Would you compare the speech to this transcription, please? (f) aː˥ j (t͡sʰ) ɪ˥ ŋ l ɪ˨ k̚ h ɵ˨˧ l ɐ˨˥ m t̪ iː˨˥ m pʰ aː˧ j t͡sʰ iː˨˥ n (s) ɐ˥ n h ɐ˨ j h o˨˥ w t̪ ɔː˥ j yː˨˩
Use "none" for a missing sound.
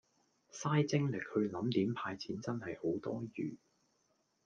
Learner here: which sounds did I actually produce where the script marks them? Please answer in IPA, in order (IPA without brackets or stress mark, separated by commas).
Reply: s, t͡s, t͡s